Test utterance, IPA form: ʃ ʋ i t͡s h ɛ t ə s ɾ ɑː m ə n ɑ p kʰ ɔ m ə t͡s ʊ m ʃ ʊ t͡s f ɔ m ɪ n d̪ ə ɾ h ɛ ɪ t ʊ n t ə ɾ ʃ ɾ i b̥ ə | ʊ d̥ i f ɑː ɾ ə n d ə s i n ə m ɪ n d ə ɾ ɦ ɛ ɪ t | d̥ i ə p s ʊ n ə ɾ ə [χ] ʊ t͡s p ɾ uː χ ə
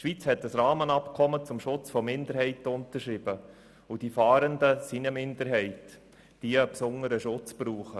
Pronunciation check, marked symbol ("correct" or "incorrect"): incorrect